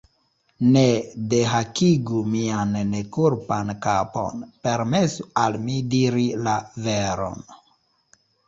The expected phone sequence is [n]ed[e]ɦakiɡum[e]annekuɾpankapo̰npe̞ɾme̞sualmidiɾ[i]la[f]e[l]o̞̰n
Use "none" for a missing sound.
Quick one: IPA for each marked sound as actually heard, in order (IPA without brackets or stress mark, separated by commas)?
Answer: n, e, i, i, v, ɾ